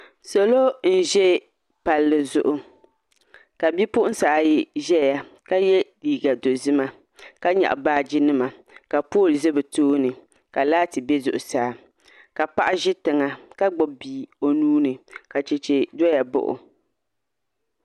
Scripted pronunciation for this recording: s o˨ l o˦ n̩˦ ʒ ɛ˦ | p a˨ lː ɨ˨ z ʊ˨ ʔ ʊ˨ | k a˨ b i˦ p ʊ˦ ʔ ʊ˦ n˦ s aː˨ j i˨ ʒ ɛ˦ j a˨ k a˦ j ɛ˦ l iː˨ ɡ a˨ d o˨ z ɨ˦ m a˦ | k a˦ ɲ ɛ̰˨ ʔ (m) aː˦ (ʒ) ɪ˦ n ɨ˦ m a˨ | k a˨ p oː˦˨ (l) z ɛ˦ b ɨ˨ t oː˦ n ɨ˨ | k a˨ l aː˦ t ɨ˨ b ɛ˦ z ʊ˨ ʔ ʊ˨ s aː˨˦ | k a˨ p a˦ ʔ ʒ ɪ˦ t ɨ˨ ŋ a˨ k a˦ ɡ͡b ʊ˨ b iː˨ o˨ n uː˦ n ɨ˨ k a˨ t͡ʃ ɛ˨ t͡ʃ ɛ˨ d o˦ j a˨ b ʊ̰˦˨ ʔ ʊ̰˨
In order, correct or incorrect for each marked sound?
incorrect: b, incorrect: d͡ʒ, correct

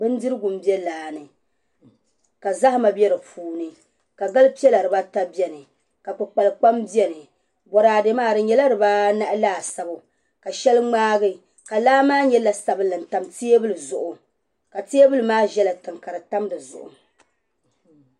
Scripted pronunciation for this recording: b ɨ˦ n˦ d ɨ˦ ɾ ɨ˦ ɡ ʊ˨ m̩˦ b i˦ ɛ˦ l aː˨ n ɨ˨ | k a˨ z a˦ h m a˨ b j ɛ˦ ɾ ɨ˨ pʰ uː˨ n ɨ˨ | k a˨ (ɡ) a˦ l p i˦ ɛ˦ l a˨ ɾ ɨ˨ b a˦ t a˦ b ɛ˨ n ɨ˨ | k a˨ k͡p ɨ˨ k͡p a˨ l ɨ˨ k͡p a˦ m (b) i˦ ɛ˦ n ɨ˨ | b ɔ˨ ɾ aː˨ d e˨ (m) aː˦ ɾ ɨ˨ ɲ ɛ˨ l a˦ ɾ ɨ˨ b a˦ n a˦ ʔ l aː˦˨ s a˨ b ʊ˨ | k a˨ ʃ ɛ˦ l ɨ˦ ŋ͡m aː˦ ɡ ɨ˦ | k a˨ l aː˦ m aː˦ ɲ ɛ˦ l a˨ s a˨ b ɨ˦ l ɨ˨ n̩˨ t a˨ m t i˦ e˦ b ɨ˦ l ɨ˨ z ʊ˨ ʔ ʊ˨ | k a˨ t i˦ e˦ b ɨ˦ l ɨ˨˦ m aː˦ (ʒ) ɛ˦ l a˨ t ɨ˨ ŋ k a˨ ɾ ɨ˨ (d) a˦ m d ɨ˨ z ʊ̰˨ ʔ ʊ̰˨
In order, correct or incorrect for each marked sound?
correct, correct, correct, correct, incorrect: t

